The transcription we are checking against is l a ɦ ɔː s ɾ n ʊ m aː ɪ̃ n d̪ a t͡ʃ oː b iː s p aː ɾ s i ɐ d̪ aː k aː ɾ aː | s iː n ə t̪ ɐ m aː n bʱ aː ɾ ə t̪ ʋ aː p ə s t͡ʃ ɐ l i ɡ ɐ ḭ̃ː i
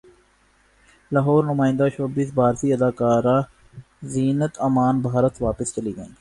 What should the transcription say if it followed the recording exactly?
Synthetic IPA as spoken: l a ɦ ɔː ɾ n ʊ m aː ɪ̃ n d̪ a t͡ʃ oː b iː s b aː ɾ s i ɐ d̪ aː k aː ɾ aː | z iː n ə t̪ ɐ m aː n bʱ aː ɾ ə t̪ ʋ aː p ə s t͡ʃ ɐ l i ɡ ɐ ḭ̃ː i